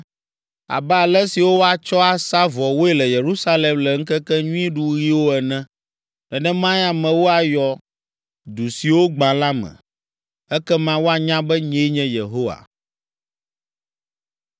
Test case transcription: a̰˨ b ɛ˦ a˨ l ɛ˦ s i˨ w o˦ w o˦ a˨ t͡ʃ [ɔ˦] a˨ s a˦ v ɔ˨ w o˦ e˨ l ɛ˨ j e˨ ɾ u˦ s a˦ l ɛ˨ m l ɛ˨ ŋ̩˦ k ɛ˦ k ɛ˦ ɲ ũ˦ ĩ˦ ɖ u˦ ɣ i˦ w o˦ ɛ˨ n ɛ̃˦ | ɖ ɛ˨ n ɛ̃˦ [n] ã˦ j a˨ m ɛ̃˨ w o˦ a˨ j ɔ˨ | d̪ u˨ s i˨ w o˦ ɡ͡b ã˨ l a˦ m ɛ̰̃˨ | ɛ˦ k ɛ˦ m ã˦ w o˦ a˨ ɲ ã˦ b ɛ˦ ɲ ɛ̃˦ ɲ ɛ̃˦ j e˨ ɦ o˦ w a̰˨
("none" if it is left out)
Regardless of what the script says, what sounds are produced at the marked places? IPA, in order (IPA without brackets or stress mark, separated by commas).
ɔ˦, m